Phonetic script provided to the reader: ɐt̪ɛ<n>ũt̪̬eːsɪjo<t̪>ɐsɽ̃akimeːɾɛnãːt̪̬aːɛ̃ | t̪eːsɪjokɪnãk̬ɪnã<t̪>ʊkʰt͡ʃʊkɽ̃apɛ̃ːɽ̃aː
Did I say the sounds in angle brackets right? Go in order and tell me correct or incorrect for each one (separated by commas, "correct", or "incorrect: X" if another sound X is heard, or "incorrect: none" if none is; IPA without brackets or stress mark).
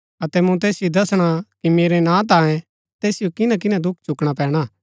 incorrect: m, incorrect: d̪, incorrect: d̪